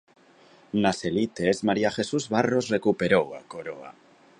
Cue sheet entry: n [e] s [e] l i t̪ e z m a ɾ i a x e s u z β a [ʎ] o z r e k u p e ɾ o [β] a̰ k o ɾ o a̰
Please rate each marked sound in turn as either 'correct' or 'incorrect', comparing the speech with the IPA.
incorrect, correct, incorrect, incorrect

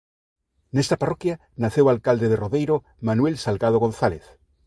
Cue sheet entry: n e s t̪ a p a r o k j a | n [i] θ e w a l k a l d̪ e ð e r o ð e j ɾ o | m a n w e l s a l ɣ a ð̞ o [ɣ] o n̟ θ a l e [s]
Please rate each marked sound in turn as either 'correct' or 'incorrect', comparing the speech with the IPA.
incorrect, correct, incorrect

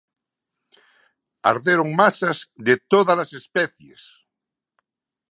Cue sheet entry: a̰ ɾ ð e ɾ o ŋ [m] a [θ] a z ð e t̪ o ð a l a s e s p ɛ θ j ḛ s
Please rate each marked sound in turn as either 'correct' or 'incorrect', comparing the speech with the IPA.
correct, incorrect

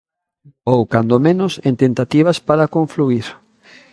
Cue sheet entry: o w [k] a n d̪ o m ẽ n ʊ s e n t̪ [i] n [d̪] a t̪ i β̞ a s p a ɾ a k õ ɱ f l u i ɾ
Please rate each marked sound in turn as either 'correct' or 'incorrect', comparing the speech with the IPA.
correct, incorrect, incorrect

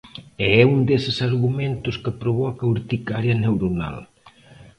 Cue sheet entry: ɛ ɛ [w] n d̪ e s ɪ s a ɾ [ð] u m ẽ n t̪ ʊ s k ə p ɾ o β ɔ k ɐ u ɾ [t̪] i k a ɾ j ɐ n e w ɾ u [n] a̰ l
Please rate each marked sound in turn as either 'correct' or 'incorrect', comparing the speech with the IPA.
incorrect, incorrect, correct, correct

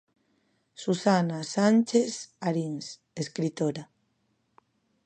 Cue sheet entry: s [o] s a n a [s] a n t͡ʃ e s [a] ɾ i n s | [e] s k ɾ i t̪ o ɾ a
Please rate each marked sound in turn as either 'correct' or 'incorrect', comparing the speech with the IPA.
incorrect, correct, correct, correct

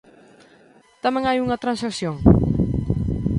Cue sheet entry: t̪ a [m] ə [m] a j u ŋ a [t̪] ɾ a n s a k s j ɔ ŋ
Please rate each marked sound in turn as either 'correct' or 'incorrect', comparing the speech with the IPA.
correct, incorrect, correct

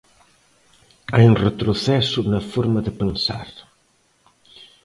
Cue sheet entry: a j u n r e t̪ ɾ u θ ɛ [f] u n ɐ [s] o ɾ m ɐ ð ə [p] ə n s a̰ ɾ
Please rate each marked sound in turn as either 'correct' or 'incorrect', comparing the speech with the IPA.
incorrect, incorrect, correct

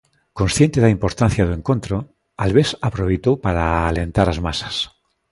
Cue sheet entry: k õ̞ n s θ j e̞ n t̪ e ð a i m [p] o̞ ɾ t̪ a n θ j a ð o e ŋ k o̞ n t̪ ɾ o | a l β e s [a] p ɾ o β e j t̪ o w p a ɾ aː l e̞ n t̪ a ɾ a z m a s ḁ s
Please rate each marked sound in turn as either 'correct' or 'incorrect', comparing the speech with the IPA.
correct, correct

